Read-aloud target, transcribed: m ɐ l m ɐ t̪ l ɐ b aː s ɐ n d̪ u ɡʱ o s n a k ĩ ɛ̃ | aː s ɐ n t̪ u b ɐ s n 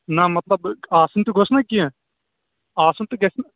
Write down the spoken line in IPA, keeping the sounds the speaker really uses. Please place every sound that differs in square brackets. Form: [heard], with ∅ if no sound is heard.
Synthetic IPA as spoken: [n] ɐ [∅] m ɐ t̪ l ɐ b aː s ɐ n [t̪] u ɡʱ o s n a k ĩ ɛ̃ | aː s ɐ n t̪ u [ɡ] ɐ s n